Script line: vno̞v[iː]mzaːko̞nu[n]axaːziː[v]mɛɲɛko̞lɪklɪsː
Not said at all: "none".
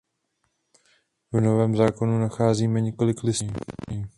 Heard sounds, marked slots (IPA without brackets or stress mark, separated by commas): ɛː, n, none